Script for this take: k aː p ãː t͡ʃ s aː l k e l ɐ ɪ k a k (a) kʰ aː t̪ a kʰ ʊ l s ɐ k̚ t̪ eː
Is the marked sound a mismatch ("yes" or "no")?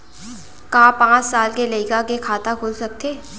yes